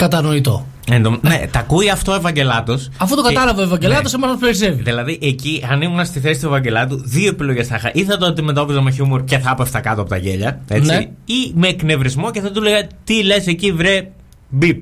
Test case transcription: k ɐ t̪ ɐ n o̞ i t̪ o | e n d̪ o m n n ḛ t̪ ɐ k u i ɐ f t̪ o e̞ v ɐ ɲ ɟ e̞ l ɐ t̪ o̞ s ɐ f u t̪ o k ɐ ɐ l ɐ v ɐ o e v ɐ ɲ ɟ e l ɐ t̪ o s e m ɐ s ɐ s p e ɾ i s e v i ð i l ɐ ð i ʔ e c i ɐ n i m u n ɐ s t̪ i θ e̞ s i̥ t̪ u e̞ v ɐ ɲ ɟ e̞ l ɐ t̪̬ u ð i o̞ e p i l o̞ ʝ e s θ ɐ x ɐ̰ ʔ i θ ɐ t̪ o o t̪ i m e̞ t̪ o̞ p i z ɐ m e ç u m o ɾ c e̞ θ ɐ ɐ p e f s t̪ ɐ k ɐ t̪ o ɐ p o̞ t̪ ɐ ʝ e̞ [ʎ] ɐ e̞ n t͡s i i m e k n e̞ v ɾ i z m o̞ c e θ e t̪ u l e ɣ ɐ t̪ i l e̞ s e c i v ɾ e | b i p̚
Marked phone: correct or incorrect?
correct